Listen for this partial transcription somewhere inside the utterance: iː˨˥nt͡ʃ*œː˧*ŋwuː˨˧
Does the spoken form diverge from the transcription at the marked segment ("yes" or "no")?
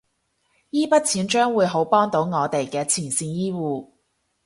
yes